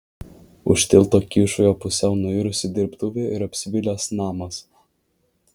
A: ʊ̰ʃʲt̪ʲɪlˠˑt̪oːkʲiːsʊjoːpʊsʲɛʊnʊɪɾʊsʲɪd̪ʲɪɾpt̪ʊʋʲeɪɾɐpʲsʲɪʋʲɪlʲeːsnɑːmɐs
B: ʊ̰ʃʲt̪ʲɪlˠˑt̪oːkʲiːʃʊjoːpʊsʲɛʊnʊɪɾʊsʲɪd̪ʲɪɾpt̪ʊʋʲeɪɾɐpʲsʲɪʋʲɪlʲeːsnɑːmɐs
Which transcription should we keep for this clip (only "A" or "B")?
B